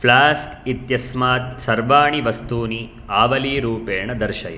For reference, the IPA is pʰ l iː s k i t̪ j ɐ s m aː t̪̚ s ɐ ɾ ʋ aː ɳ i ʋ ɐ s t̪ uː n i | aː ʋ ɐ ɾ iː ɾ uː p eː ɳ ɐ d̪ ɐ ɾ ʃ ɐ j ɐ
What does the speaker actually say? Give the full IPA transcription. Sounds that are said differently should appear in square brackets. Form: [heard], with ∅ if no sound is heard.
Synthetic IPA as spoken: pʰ l [aː] s k i t̪ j ɐ s m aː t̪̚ s ɐ ɾ ʋ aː ɳ i ʋ ɐ s t̪ uː n i | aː ʋ ɐ [l] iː ɾ uː p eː ɳ ɐ d̪ ɐ ɾ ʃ ɐ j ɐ